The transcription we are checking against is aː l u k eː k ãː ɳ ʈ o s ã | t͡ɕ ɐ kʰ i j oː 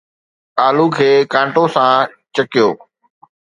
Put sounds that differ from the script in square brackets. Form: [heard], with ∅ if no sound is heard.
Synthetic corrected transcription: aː l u [kʰ] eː k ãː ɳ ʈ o s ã | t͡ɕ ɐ [k] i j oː